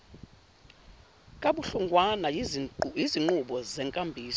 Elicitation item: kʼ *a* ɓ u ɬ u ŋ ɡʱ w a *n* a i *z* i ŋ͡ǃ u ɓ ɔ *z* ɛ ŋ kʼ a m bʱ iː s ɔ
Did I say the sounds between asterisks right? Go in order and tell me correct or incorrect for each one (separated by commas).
correct, correct, correct, correct